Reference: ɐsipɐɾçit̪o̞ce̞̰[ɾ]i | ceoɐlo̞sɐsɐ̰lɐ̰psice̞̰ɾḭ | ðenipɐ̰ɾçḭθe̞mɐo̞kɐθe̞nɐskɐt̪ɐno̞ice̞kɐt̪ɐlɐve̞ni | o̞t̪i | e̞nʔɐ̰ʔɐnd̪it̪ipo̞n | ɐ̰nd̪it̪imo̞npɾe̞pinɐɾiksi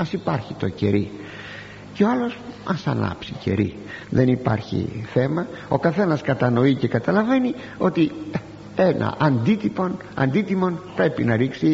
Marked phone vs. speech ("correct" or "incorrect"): correct